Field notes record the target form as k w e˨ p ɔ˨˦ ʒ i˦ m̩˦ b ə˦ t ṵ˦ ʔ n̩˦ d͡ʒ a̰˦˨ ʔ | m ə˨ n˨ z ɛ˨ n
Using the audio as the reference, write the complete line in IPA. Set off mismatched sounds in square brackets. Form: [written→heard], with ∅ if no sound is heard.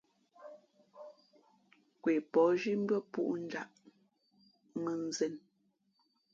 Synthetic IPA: k w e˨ p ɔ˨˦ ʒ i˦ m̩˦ b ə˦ [t→p] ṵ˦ ʔ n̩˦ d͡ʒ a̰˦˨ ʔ | m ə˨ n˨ z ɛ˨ n